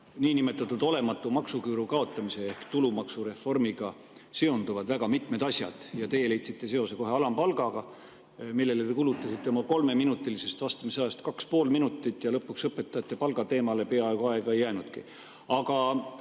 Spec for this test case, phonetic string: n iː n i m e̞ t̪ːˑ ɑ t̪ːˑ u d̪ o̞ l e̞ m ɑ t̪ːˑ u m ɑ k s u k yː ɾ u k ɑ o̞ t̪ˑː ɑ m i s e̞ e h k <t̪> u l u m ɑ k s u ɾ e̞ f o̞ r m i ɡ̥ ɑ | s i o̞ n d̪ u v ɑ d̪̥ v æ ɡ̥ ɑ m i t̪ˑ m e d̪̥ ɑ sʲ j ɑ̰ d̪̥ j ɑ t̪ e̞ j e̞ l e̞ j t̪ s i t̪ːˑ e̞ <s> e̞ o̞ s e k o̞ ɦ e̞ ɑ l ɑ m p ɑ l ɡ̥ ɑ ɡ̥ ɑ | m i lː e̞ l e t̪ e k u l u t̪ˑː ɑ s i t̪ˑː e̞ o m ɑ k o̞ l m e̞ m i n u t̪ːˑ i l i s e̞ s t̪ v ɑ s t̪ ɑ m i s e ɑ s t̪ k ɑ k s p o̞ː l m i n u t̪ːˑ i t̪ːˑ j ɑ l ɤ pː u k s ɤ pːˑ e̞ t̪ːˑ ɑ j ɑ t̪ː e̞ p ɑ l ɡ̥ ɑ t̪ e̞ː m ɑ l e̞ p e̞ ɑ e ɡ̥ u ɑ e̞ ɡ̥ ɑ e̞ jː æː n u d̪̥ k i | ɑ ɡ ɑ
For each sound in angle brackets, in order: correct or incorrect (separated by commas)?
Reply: correct, correct